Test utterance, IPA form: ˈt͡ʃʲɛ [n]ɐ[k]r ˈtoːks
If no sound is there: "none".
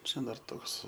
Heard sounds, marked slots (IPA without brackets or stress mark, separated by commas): d, none